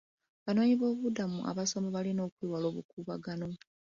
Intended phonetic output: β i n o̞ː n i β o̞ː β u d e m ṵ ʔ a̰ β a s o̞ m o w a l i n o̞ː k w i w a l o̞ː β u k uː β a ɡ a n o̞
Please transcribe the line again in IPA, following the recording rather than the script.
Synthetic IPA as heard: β a n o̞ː ɲ i β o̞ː β u d a m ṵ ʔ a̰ β a s o̞ m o β a l i n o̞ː k w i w a l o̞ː β u k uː β a ɡ a n o̞